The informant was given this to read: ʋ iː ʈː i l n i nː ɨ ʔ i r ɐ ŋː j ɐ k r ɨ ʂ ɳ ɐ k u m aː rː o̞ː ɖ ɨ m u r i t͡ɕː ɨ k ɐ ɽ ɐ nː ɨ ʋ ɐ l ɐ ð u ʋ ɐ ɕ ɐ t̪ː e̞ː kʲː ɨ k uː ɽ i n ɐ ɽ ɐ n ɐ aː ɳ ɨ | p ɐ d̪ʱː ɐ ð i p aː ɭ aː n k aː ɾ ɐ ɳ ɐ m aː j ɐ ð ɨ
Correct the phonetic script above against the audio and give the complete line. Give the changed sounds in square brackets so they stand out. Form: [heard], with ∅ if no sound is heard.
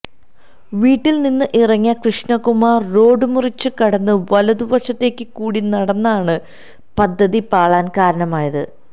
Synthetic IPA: ʋ iː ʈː i l n i nː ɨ ʔ i r ɐ ŋː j ɐ k r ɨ ʂ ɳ ɐ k u m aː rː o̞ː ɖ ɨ m u r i t͡ɕː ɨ k ɐ ɽ ɐ nː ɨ ʋ ɐ l ɐ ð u ʋ ɐ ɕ ɐ t̪ː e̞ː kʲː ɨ k uː ɽ i n ɐ ɽ ɐ [nː] ɐ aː ɳ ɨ | p ɐ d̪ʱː ɐ ð i p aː ɭ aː n k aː ɾ ɐ ɳ ɐ m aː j ɐ ð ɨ